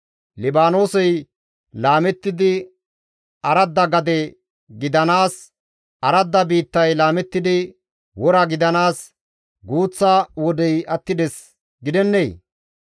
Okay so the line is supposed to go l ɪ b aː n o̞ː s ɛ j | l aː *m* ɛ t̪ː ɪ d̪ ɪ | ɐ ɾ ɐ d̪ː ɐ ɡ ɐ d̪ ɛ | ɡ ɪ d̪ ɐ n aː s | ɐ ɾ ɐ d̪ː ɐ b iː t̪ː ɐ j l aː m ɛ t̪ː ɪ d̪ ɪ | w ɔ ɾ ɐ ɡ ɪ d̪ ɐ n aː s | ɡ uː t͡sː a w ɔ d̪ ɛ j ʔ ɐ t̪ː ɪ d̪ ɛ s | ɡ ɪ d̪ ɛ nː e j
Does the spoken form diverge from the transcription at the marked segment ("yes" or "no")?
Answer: no